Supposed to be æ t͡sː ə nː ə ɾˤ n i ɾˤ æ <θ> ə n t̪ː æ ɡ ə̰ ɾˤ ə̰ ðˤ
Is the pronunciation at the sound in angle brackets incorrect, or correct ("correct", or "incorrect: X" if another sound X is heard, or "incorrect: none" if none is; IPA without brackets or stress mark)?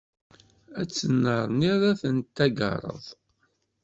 correct